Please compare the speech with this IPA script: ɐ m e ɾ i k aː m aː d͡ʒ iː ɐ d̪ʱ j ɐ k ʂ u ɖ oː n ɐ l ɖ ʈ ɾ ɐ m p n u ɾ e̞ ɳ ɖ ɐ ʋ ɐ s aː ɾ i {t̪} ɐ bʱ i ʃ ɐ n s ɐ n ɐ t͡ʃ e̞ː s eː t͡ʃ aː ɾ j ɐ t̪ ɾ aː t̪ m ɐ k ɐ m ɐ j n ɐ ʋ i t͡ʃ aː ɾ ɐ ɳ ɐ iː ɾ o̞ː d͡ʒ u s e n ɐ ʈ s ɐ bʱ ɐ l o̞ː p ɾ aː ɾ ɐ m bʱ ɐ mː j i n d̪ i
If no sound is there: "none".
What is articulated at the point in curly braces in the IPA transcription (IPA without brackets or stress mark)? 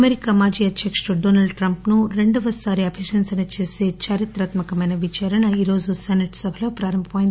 none